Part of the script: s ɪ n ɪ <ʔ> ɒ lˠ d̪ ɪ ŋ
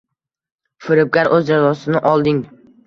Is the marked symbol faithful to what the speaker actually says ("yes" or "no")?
yes